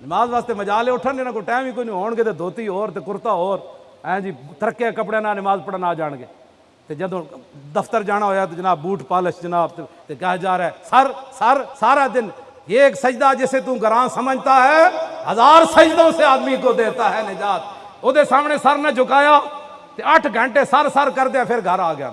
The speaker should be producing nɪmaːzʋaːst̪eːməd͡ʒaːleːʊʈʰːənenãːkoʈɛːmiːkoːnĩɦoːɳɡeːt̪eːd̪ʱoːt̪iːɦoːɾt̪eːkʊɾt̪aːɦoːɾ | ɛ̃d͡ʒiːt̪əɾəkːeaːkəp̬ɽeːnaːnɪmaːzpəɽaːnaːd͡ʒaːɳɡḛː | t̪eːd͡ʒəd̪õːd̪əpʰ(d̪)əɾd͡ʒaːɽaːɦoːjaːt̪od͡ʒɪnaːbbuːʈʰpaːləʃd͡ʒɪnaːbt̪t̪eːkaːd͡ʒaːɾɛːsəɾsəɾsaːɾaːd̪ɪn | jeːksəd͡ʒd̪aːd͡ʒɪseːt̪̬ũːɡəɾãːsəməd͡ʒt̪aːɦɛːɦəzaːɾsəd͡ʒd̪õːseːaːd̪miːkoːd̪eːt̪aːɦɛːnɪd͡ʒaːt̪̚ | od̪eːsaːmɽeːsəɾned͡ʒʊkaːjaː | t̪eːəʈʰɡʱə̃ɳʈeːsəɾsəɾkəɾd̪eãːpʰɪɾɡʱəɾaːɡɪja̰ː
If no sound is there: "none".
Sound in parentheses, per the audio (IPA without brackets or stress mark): t̪